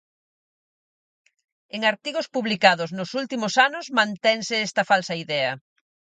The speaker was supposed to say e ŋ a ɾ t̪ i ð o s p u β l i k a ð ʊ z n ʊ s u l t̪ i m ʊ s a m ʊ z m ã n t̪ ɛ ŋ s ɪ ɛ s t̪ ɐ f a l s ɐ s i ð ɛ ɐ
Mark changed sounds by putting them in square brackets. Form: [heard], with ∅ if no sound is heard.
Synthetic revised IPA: e ŋ a ɾ t̪ i [ɣ] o s p u β l i k a ð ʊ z n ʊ s u l t̪ i m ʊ s a [n] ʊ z m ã n t̪ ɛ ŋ s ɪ ɛ s t̪ ɐ f a l s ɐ [∅] i ð ɛ ɐ